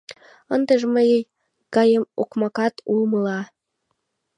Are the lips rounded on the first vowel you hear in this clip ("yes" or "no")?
no